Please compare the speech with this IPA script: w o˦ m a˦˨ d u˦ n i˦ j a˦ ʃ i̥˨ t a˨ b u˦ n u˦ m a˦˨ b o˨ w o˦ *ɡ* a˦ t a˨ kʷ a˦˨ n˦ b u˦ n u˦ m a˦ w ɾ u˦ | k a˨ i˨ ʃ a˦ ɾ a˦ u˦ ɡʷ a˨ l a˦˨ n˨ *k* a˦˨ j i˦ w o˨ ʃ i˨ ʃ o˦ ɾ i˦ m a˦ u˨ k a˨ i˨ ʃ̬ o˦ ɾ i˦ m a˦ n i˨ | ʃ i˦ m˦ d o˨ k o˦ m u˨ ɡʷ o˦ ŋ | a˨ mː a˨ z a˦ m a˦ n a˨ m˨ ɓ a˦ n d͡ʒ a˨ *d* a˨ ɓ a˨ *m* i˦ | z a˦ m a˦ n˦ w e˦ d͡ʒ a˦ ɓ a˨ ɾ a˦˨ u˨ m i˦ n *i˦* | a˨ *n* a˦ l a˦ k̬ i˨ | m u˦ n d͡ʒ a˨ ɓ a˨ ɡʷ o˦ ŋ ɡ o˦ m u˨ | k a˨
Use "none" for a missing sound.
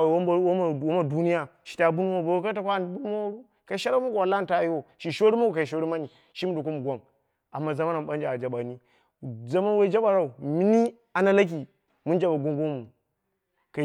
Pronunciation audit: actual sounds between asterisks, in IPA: k, t, d͡ʒ, n, i˦, n

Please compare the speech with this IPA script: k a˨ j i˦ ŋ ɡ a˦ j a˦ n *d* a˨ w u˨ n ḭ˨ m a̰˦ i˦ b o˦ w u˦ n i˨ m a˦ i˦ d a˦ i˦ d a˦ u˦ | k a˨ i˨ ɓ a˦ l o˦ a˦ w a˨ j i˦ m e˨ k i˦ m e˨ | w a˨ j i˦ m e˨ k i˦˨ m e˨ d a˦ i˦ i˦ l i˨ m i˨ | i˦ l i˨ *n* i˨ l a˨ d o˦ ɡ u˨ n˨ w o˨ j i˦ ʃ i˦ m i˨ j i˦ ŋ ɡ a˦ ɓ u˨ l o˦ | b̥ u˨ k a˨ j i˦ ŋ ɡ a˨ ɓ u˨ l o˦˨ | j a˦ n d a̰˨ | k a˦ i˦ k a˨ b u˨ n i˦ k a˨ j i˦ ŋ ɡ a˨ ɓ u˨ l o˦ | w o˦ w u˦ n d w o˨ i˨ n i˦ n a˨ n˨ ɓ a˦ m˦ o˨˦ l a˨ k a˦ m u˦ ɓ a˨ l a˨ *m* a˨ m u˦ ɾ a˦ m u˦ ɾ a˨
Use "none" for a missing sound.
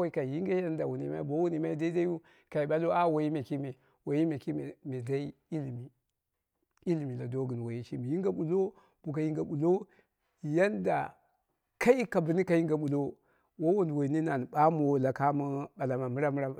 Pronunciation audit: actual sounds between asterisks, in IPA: d, m, m

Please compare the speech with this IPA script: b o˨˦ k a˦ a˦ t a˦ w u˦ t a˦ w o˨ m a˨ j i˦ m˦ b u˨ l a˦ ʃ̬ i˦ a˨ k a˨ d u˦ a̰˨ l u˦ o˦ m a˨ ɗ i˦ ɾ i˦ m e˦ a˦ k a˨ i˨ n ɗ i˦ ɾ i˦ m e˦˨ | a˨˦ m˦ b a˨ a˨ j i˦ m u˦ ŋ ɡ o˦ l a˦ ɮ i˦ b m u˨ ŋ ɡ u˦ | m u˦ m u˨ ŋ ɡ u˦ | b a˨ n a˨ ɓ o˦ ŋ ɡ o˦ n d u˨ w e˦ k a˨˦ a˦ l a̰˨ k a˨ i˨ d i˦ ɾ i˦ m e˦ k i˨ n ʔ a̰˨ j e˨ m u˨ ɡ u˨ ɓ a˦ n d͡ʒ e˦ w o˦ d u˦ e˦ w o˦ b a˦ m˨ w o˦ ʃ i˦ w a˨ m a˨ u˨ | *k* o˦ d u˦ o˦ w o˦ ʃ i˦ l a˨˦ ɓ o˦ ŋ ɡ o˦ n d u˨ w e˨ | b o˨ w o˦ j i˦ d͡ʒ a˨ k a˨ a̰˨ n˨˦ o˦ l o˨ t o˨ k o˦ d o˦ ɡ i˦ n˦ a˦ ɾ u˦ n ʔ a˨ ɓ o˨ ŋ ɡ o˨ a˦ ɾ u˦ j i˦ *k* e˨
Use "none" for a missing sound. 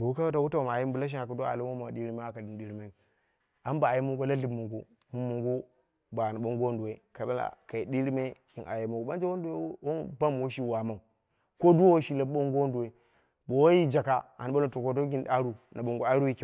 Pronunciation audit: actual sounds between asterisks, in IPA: k, k

